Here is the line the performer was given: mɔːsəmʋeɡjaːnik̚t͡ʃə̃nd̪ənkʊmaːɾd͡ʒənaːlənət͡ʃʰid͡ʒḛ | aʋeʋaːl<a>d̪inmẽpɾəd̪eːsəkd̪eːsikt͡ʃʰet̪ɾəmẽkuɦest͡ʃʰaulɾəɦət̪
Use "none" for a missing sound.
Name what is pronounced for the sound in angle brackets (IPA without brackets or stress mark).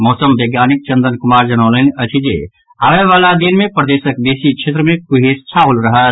a